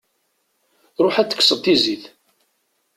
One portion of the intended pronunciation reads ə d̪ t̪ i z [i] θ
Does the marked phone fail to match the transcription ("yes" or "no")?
no